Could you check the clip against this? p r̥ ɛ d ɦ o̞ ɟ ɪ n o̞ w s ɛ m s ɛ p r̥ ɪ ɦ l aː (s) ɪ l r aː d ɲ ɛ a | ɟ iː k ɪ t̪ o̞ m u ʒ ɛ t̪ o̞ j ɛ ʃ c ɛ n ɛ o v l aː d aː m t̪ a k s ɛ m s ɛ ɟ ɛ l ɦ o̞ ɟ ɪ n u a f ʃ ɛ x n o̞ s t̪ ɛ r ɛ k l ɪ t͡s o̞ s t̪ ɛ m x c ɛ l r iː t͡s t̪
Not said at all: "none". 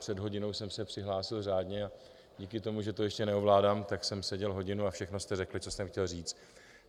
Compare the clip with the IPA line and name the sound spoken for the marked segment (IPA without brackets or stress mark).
s